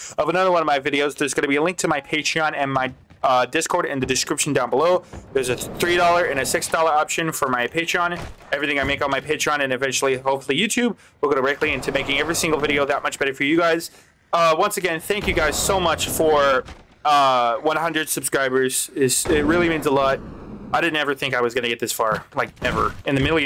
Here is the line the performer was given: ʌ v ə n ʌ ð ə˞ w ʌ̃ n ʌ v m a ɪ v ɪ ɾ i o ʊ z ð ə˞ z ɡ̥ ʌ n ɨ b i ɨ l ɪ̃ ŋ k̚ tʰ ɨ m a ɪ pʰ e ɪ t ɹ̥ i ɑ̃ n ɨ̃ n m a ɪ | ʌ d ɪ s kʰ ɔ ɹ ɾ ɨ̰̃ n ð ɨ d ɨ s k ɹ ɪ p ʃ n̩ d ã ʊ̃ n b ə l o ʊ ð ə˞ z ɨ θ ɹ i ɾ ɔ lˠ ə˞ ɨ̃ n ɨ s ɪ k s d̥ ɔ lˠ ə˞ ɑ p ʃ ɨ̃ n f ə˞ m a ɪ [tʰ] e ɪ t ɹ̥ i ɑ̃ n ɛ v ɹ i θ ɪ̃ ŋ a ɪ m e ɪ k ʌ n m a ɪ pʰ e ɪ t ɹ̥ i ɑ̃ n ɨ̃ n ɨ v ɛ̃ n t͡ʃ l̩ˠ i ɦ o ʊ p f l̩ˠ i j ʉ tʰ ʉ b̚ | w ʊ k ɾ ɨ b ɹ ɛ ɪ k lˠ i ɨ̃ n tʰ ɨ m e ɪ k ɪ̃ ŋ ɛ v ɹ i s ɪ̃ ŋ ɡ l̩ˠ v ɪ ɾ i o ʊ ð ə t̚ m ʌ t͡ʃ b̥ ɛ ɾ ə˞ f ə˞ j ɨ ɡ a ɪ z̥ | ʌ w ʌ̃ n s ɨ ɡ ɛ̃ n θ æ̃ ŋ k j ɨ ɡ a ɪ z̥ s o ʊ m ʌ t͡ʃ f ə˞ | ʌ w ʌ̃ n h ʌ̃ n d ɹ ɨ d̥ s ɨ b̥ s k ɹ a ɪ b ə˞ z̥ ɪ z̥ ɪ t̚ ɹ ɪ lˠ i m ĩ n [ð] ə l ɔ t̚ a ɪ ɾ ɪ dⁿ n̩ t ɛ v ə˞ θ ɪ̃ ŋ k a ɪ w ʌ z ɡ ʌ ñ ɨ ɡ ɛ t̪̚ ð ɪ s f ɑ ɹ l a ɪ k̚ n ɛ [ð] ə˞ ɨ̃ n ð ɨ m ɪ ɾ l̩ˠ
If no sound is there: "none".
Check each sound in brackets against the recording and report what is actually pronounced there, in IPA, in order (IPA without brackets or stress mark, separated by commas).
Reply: pʰ, z, v